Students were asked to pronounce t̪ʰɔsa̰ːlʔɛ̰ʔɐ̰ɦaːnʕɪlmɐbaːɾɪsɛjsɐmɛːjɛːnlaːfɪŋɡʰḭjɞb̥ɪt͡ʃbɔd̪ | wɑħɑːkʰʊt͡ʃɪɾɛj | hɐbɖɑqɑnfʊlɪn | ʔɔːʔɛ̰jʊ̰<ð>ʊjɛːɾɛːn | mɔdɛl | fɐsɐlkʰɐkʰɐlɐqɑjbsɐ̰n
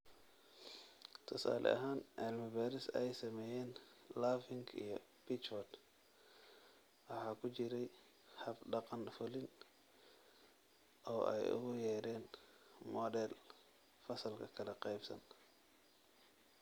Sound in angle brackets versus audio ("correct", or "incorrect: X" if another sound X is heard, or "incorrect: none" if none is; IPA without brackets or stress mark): incorrect: ɣ